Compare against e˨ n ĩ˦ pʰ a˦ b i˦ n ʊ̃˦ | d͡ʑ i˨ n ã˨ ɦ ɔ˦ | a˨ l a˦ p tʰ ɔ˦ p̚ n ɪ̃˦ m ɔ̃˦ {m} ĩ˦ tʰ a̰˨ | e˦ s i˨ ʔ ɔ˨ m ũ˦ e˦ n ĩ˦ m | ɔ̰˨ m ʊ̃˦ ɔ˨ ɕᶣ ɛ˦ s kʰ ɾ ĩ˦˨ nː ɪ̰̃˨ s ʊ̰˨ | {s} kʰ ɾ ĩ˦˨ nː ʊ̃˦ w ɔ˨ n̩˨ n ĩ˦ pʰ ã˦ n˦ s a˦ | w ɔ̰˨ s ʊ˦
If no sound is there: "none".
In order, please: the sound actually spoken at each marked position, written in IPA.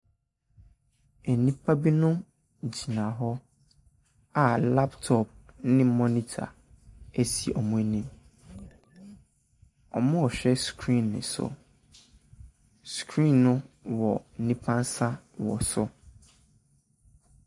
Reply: n, s

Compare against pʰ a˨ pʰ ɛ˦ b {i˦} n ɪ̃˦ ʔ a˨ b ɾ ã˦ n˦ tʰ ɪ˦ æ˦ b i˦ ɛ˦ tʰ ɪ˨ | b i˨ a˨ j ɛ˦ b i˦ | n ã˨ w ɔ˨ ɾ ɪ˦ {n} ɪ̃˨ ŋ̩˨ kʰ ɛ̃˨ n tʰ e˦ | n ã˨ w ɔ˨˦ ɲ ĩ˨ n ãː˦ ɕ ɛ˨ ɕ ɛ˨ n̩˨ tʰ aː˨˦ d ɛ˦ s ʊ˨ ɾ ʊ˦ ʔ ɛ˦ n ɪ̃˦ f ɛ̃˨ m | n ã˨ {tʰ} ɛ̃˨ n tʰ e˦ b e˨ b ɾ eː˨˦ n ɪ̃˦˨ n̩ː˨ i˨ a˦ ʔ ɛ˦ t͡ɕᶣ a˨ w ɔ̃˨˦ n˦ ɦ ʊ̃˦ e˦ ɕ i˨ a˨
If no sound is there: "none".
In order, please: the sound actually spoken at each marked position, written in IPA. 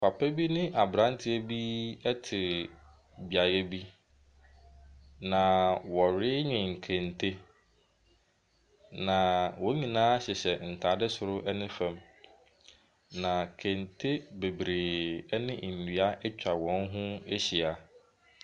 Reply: i˦, ɲ, kʰ

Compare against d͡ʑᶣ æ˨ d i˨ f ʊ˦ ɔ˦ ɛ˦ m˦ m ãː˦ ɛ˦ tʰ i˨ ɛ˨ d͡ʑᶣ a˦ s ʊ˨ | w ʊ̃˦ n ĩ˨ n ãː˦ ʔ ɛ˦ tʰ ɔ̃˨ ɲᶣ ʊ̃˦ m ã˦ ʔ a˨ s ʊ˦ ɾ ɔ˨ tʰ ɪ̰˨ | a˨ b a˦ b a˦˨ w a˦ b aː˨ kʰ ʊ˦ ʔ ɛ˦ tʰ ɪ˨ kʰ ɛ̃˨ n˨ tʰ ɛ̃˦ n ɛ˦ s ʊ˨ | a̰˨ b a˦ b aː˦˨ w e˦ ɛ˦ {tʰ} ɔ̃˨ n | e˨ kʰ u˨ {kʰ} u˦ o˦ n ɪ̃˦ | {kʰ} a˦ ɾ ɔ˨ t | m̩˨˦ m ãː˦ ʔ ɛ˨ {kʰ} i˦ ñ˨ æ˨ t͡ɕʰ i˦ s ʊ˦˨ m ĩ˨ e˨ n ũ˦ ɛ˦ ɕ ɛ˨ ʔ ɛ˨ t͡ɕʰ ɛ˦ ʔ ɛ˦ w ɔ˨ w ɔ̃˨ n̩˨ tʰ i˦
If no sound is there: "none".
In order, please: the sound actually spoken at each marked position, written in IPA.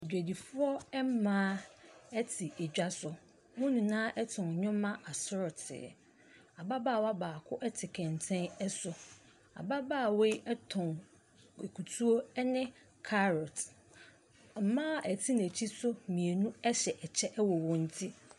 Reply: tʰ, tʰ, kʰ, tʰ

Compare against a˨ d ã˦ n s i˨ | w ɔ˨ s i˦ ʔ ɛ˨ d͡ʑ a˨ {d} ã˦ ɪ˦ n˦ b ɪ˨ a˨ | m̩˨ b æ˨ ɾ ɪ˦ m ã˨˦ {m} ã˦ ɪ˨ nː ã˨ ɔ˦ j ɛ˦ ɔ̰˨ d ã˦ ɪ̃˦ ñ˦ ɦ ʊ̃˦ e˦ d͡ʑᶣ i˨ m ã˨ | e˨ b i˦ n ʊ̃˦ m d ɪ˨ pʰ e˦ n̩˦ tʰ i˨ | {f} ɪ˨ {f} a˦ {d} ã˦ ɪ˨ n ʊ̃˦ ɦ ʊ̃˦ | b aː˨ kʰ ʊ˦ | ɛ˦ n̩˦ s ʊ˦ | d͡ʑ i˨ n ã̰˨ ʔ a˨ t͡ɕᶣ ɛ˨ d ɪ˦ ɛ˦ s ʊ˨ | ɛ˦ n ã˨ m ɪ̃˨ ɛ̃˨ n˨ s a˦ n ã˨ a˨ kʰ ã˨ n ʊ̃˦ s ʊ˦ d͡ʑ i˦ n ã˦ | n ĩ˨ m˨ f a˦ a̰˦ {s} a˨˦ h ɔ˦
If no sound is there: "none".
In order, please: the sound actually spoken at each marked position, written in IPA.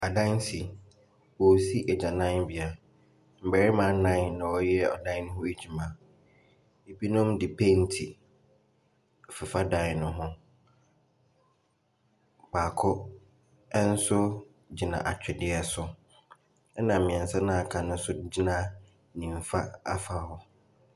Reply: n, n, f, f, d, f

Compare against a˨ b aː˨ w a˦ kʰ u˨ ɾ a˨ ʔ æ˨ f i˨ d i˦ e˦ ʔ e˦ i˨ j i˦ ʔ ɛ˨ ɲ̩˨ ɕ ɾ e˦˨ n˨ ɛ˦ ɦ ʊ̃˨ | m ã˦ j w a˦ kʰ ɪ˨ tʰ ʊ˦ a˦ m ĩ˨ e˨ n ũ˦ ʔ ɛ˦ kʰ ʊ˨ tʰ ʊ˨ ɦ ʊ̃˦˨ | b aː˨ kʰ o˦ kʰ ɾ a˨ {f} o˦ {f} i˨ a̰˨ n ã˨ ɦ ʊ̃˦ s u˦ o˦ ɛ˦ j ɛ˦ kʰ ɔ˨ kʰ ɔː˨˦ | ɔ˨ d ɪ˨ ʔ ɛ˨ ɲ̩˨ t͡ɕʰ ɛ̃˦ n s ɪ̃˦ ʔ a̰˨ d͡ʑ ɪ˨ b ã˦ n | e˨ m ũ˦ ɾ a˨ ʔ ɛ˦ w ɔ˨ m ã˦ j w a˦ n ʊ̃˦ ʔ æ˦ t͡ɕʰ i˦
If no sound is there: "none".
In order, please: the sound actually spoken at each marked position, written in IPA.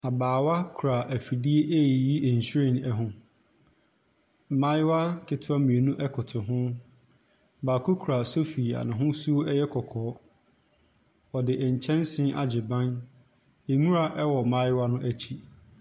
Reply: s, f

